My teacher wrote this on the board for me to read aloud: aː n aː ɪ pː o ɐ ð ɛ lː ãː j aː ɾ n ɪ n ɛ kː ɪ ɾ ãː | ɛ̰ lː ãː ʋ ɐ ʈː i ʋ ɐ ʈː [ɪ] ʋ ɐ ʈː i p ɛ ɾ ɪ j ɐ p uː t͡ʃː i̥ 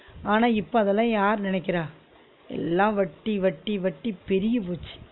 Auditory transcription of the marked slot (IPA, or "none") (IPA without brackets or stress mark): i